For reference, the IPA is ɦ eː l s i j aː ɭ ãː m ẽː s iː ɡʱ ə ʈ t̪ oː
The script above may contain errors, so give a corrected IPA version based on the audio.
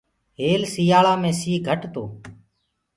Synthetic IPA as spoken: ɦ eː l s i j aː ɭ aː m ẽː s iː ɡʱ ə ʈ t̪ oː